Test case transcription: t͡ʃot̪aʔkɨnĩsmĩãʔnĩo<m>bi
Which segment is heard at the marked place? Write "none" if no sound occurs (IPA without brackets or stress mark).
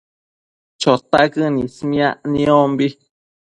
m